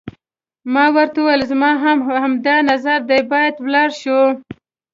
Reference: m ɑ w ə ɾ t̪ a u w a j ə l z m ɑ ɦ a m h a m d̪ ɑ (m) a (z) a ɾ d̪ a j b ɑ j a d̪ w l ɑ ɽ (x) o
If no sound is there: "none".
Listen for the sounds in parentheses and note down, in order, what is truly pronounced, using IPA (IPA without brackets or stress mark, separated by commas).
n, z, ʃ